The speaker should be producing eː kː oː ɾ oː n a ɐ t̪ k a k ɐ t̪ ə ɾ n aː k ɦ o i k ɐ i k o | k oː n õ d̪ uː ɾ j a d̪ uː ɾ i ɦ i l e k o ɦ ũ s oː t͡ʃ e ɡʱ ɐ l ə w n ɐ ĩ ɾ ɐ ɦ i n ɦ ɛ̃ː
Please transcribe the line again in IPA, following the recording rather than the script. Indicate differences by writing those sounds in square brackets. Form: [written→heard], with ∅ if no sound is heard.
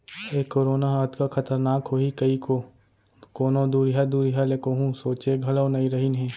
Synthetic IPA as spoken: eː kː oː ɾ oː n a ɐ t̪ k a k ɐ t̪ ə ɾ n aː k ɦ o i k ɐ i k o | k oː n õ d̪ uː ɾ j a d̪ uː ɾ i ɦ [i→a] l e k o ɦ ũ s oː t͡ʃ e ɡʱ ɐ l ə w n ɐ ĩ ɾ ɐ ɦ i n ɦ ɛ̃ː